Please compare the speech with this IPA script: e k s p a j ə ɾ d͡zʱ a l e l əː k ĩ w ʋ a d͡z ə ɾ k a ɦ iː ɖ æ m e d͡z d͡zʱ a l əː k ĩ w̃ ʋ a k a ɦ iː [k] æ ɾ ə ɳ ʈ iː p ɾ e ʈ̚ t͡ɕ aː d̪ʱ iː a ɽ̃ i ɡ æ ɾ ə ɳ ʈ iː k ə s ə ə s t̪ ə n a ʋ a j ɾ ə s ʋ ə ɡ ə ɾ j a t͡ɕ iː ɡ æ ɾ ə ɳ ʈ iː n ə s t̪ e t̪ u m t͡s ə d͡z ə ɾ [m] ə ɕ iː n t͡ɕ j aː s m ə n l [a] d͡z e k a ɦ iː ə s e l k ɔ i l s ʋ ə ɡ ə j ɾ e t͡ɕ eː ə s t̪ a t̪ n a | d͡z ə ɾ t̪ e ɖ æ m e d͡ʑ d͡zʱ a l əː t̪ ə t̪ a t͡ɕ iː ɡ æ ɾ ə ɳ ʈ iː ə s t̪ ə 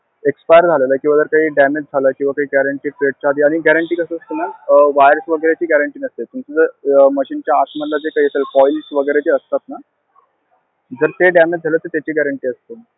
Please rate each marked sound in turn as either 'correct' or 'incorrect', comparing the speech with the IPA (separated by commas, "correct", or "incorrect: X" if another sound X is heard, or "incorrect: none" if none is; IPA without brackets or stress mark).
incorrect: ɡ, correct, correct